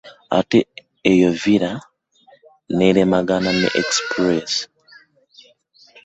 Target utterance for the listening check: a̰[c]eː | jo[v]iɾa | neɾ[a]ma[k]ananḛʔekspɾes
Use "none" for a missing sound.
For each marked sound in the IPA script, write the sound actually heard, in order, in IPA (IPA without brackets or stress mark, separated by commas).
t, v, e, ɡ